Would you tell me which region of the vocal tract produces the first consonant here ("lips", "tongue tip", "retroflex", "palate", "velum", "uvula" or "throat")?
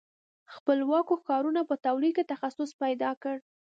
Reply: velum